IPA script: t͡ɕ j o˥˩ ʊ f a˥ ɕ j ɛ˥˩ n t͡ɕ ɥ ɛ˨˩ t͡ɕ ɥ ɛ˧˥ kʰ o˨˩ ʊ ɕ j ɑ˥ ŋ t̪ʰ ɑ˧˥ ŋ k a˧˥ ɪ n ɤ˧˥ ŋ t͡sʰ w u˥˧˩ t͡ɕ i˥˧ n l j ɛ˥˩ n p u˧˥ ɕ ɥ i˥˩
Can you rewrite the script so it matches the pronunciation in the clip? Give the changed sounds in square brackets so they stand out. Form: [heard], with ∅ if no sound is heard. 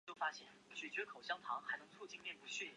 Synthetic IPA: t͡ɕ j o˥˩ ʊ f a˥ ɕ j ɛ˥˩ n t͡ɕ ɥ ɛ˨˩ t͡ɕ ɥ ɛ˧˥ kʰ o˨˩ ʊ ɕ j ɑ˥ ŋ t̪ʰ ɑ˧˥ ŋ [x] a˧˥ ɪ n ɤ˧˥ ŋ t͡sʰ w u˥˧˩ t͡ɕ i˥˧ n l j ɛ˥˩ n p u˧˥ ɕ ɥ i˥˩